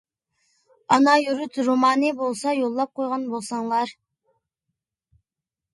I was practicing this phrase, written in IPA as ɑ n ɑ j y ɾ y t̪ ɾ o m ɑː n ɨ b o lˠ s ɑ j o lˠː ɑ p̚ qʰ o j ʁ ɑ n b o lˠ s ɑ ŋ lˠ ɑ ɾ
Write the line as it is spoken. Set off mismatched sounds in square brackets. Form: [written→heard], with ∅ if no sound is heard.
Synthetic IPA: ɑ n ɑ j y ɾ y t̪ ɾ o m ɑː n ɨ b o lˠ s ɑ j o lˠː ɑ p̚ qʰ o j ʁ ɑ n b o lˠ s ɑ ŋ lˠ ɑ ɾ